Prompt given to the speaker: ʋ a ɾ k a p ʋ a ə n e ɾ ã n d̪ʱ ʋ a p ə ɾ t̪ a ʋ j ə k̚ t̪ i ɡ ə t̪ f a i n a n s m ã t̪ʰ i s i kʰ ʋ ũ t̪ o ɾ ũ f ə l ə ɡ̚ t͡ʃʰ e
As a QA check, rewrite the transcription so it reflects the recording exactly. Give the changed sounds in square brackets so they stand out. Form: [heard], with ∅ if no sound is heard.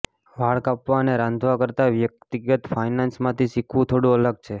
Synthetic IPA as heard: ʋ a [ɭ] k a p ʋ a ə n e ɾ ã n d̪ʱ ʋ a [k] ə ɾ t̪ a ʋ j ə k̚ t̪ i ɡ ə t̪ f a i n a n s m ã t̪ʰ i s i kʰ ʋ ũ [t̪ʰ] o [ɽ] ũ [∅] ə l ə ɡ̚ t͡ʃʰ e